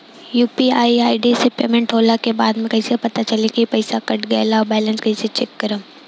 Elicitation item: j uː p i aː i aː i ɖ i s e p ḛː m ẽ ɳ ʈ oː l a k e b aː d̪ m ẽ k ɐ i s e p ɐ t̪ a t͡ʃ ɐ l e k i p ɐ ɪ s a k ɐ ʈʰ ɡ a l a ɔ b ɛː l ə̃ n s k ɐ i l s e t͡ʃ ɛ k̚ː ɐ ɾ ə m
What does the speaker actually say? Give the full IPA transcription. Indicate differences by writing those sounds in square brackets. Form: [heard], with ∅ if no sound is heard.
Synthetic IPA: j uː p i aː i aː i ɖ i s e p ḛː m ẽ ɳ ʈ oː l a k e b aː d̪ m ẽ k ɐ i s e p ɐ t̪ a t͡ʃ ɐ l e k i p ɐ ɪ s a k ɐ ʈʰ ɡ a l a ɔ b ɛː l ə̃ n s k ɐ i [∅] s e t͡ʃ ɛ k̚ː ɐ ɾ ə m

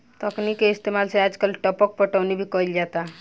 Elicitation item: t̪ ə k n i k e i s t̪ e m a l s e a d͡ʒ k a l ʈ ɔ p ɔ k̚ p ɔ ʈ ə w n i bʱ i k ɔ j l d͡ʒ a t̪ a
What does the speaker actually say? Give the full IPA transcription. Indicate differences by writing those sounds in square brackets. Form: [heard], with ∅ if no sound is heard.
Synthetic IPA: t̪ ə k n i k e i s t̪ e m a l s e a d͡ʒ k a l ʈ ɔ p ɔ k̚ p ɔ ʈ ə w n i bʱ i k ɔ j l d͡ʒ a t̪ a

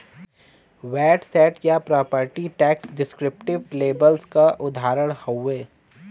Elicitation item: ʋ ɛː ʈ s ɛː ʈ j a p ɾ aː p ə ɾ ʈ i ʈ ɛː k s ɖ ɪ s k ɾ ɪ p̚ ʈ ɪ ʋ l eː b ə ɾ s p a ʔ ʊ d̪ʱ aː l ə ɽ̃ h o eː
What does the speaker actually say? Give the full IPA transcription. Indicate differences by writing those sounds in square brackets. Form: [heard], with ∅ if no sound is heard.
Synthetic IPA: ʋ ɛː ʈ s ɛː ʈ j a p ɾ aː p ə ɾ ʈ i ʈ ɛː k s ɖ ɪ s k ɾ ɪ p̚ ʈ ɪ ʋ l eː b ə [l] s [k] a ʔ ʊ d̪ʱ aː [ɾ] ə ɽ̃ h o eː

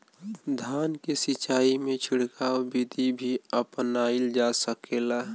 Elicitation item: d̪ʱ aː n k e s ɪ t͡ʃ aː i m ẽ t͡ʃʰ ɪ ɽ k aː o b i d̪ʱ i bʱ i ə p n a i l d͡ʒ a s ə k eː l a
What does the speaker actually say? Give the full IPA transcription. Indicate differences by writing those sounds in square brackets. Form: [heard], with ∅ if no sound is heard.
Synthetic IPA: d̪ʱ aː n k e s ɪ t͡ʃ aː i m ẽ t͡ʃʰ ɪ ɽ k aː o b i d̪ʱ i bʱ i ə p n a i l d͡ʒ a s ə k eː l a

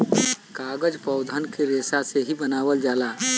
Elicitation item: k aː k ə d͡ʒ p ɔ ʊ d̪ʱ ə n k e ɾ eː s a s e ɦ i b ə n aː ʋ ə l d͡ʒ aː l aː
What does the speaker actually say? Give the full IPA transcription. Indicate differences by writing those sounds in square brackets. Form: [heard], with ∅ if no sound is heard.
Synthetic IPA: k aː [ɡ] ə d͡ʒ p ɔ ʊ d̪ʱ ə n k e ɾ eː s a s e ɦ i b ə n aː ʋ ə l d͡ʒ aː l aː

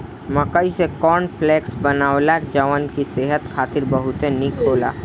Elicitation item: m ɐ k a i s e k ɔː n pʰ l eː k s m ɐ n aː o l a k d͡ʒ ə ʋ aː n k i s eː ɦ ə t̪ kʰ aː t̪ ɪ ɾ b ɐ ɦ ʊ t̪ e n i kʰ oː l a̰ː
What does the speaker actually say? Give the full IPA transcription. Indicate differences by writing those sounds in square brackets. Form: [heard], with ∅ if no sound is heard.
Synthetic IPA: m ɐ k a i s e k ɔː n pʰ l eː k s [b] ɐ n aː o l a k d͡ʒ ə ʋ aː n k i s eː ɦ ə t̪ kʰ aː t̪ ɪ ɾ b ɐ ɦ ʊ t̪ e n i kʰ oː l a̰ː

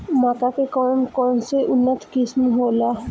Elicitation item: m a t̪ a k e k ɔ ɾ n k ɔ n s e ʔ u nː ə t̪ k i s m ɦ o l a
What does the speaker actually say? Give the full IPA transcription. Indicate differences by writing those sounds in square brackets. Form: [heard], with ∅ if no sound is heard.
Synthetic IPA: m a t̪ a k e k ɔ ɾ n k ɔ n s e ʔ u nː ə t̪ k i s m ɦ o l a

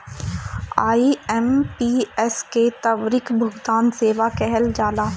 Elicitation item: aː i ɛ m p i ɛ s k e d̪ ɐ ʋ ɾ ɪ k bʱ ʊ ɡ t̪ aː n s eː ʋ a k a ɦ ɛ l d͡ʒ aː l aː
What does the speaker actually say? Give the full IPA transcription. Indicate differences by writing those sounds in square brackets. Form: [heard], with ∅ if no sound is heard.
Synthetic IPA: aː i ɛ m p i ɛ s k e [t̪] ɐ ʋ ɾ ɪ k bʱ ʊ ɡ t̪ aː n s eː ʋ a k [ɛ] ɦ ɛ l d͡ʒ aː l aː

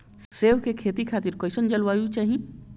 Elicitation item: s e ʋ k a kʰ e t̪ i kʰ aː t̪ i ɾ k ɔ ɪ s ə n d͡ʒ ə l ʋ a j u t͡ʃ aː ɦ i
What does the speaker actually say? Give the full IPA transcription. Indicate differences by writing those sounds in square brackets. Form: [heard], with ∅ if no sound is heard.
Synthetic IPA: s e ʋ k [e] kʰ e t̪ i kʰ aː t̪ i ɾ k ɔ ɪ s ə n d͡ʒ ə l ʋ a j u t͡ʃ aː ɦ i

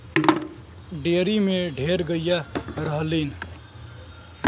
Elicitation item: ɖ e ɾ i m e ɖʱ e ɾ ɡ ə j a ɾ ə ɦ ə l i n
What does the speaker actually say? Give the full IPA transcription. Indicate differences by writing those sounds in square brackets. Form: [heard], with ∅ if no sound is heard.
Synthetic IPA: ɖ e ɾ i m e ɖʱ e ɾ ɡ ə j a ɾ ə ɦ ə l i n

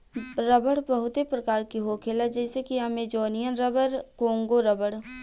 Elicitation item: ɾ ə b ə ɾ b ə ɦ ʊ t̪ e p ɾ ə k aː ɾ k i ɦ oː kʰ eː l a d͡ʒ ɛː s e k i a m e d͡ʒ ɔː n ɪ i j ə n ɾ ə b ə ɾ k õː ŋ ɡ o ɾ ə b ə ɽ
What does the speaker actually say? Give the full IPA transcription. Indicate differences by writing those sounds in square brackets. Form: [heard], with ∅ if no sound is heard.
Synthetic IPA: ɾ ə b ə [ɽ] b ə ɦ ʊ t̪ e p ɾ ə k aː ɾ k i ɦ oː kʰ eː l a d͡ʒ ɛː s e k i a m e d͡ʒ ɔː n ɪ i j ə n ɾ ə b ə ɾ k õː ŋ ɡ o ɾ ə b ə ɽ

